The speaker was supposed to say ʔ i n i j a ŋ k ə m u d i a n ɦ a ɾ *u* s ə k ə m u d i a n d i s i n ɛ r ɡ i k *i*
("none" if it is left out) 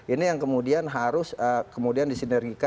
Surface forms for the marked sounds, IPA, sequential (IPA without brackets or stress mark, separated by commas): ʊ, a